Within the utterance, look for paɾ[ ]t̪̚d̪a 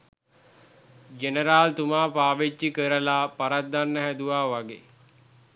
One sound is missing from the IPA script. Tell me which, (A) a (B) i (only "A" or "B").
A